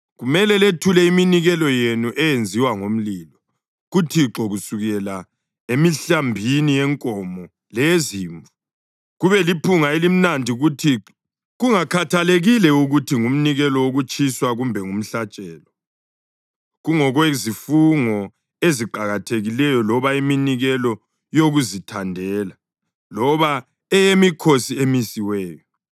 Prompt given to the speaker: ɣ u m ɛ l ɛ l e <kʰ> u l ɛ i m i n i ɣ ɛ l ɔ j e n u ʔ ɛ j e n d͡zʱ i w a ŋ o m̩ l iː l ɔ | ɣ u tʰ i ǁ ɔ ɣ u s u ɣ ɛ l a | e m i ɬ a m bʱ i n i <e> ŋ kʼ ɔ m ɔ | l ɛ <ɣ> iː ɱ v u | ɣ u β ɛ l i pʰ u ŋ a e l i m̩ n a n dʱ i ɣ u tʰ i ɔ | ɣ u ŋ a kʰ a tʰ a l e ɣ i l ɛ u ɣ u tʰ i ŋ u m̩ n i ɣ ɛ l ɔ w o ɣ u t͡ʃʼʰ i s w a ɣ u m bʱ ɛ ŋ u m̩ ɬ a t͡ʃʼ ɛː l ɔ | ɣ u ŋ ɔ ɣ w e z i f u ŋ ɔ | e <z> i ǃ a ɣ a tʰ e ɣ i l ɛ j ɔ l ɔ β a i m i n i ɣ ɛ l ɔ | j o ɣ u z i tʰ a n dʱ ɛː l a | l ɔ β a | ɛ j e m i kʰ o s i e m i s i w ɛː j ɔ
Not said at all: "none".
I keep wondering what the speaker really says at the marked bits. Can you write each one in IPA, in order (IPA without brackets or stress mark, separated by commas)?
tʰ, ɛ, z, z